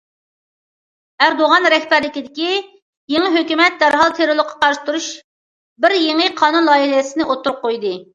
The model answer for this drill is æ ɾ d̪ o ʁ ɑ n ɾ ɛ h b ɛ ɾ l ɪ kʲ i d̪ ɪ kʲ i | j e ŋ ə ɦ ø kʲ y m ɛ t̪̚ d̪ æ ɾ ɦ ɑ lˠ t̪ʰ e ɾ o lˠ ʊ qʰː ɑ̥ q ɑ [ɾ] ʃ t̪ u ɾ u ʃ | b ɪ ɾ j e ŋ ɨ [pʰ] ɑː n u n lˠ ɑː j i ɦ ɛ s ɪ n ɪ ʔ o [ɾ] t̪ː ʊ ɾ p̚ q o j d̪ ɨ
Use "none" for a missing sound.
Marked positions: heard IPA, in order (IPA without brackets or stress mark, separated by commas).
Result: ɾ, qʰ, none